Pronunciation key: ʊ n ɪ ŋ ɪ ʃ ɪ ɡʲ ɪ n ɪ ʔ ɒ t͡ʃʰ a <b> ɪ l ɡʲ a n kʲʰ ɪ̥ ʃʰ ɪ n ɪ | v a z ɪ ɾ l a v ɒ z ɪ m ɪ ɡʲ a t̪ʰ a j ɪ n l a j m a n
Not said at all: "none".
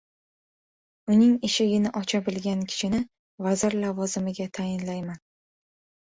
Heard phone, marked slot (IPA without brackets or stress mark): b